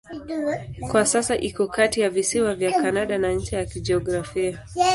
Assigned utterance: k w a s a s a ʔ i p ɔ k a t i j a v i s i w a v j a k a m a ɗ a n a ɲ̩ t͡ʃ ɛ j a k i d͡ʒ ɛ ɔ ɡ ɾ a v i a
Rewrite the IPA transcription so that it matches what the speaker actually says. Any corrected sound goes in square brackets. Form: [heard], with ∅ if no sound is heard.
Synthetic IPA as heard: k w a s a s a ʔ i [k] ɔ k a t i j a v i s i w a v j a k a [n] a ɗ a n a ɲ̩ t͡ʃ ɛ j a k i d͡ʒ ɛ ɔ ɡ ɾ a [f] i a